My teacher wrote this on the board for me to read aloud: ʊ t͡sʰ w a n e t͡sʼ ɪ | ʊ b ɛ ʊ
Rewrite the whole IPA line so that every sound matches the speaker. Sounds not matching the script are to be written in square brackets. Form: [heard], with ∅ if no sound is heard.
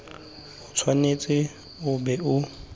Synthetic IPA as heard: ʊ t͡sʰ w a n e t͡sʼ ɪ | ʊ b ɛ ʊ